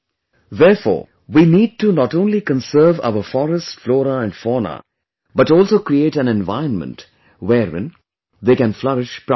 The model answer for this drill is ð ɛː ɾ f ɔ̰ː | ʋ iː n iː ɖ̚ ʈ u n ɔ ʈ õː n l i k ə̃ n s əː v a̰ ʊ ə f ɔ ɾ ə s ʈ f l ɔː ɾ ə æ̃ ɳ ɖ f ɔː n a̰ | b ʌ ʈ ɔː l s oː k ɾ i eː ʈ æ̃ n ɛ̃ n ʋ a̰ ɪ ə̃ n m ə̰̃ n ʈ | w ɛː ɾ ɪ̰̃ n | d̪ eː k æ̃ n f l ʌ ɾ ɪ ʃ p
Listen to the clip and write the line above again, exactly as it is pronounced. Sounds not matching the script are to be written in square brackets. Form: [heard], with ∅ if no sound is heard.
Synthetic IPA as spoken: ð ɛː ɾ f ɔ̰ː | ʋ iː n iː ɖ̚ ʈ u n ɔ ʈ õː n l i k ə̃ n s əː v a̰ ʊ ə f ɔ ɾ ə s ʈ f l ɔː ɾ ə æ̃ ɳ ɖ f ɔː n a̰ | b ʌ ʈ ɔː l s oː k ɾ i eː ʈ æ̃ n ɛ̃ n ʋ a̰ ɪ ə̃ n m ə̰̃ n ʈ | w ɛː ɾ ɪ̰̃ n | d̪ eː k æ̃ n f l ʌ ɾ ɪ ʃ p